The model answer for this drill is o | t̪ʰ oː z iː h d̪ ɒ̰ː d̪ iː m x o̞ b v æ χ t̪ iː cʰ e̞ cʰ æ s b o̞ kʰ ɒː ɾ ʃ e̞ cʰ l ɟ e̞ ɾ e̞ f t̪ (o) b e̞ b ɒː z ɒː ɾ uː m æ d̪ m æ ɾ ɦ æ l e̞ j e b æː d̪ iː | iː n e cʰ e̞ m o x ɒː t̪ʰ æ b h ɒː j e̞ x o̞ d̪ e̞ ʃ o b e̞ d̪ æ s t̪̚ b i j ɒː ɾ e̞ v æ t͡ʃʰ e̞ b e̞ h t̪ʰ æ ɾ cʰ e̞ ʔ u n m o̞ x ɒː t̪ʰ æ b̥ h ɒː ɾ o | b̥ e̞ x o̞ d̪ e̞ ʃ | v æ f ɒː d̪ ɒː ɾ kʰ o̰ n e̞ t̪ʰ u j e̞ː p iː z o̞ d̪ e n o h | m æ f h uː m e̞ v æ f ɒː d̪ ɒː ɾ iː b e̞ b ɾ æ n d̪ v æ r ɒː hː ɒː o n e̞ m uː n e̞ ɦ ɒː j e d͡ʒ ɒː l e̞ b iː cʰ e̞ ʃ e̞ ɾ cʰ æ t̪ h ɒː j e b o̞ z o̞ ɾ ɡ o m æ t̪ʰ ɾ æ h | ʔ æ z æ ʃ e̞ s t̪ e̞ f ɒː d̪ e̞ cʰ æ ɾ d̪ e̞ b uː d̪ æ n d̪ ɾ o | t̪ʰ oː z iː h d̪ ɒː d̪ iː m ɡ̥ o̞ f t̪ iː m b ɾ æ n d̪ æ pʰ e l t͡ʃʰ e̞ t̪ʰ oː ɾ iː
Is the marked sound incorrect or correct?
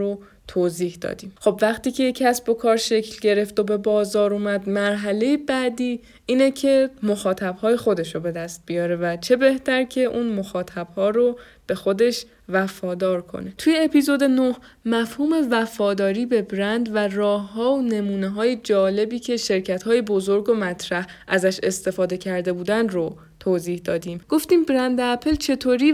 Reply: correct